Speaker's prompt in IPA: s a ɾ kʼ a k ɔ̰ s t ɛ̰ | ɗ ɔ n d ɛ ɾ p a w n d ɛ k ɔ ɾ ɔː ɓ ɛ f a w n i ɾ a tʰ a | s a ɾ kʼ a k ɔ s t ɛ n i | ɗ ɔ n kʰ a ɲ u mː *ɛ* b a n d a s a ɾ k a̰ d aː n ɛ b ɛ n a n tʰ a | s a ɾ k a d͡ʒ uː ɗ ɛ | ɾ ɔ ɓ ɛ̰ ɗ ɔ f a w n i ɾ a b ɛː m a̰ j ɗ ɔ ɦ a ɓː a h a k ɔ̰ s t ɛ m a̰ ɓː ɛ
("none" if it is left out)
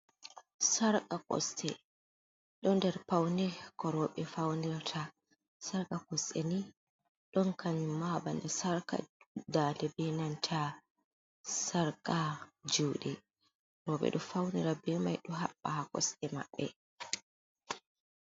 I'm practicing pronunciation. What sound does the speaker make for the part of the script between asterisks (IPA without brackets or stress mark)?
a